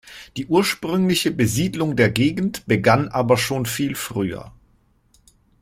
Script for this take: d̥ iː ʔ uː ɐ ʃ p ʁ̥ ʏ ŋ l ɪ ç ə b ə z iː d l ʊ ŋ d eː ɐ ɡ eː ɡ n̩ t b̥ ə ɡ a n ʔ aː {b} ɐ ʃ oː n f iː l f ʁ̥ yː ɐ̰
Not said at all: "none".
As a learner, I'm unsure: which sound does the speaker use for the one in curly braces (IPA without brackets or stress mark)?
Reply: b